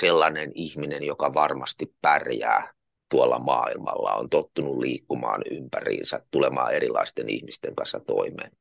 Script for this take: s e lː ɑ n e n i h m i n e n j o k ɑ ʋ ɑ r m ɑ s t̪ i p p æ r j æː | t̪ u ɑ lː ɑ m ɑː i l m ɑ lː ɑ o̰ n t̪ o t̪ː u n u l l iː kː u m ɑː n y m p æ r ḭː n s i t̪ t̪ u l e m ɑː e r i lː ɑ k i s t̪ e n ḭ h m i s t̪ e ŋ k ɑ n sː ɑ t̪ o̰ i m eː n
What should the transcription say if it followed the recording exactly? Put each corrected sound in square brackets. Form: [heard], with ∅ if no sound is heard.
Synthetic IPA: s e lː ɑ n e n i h m i n e n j o k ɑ ʋ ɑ r m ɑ s t̪ i p p æ r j æː | t̪ u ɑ lː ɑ m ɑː i l m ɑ lː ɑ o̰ n t̪ o t̪ː u n u l l iː kː u m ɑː n y m p æ r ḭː n s [æ] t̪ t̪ u l e m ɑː e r i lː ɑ [∅] i s t̪ e n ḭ h m i s t̪ e ŋ k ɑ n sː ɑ t̪ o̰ i m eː n